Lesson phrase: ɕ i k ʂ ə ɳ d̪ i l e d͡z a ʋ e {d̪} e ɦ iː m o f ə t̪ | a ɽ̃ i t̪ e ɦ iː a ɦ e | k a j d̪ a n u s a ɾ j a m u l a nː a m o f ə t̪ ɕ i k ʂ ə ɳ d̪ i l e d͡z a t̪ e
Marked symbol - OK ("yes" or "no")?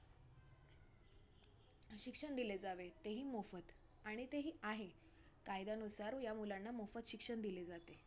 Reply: no